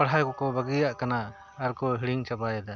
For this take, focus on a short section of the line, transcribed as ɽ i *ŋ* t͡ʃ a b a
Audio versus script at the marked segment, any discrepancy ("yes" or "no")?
no